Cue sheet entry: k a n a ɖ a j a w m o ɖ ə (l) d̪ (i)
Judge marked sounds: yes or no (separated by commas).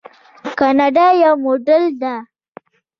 yes, no